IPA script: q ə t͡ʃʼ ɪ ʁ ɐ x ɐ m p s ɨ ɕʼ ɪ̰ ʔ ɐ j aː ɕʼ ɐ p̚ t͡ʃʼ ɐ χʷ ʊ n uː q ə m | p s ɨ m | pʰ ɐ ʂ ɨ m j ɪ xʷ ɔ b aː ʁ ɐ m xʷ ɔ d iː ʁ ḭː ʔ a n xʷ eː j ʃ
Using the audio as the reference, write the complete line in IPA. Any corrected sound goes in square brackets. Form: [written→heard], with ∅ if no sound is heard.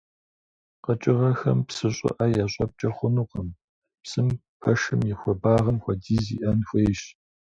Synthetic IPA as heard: q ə t͡ʃʼ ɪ ʁ ɐ x ɐ m p s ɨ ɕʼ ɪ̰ ʔ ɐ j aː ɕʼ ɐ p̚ t͡ʃʼ ɐ χʷ ʊ n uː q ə m | p s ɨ m | pʰ ɐ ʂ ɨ m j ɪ xʷ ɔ b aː ʁ ɐ m xʷ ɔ d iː [ʁ→z] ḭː ʔ [a→ɐ] n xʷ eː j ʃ